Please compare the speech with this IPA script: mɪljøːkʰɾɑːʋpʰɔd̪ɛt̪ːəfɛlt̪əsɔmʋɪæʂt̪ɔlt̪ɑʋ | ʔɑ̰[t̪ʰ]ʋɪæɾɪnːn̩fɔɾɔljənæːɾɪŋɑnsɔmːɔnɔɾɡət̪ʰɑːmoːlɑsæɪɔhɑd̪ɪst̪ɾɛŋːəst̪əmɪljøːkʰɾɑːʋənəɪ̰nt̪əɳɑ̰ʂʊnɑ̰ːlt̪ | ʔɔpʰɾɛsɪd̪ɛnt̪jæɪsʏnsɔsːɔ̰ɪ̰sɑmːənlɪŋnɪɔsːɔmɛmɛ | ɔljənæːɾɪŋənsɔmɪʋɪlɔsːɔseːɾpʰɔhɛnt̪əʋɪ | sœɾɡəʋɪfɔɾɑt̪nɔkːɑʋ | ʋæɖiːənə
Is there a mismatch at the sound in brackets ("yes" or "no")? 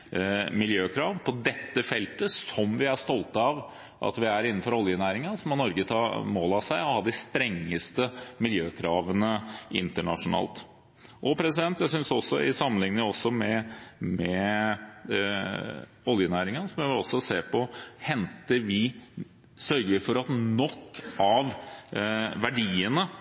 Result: yes